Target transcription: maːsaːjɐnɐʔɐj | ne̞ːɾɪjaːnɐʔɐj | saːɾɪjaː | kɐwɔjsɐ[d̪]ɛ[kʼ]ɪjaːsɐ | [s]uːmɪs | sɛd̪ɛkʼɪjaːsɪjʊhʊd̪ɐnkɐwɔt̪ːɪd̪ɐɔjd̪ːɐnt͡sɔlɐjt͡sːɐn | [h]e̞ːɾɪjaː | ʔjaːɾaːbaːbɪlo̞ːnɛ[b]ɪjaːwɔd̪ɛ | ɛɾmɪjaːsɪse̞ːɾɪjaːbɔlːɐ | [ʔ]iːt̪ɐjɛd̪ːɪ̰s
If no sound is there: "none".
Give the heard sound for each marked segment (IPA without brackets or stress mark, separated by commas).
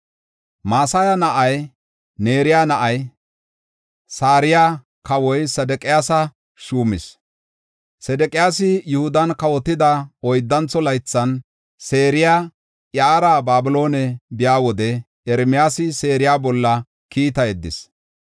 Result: d̪, kʼ, ʃ, s, b, k